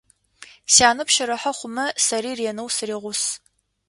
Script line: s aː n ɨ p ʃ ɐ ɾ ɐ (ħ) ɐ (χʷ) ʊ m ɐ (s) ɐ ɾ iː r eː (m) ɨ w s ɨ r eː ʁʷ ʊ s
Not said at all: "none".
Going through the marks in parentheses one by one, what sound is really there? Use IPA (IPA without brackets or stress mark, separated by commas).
ħ, χʷ, s, n